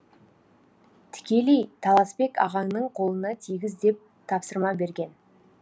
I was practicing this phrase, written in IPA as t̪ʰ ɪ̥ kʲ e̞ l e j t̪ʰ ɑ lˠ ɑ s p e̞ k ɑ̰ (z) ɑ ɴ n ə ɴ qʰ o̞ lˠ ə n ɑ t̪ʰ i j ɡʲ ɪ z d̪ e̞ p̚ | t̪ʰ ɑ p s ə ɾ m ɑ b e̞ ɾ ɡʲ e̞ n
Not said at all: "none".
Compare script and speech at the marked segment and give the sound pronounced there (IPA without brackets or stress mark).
ʁ